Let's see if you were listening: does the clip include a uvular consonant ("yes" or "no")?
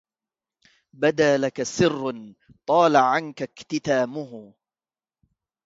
no